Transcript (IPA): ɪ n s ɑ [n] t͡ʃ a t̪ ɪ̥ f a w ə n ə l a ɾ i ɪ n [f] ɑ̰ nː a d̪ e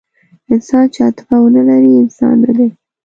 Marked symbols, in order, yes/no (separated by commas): yes, no